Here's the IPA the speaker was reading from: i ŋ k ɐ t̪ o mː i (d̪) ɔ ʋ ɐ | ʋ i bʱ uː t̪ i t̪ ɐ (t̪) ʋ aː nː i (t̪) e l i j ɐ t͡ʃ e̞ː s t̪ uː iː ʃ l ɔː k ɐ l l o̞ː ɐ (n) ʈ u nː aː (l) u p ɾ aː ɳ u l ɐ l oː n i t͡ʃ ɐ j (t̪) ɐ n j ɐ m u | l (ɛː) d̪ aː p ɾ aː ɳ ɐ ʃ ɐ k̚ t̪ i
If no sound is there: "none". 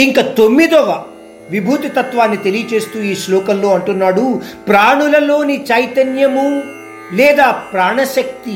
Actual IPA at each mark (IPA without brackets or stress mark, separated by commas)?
d̪, t̪, t̪, ɳ, ɽ, t̪, ɛː